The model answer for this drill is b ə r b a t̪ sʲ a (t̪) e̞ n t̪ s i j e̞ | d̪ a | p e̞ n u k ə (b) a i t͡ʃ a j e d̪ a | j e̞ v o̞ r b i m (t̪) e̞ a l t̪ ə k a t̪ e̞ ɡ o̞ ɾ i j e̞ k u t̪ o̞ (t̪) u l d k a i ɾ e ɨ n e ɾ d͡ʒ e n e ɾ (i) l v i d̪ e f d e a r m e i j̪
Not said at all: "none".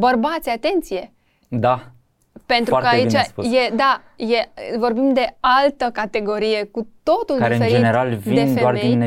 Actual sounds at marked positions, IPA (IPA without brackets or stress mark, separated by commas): t̪, none, d̪, t̪, a